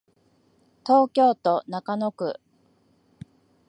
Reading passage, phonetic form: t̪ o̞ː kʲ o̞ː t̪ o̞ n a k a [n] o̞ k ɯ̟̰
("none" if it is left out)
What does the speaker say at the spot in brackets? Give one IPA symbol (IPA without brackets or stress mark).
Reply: n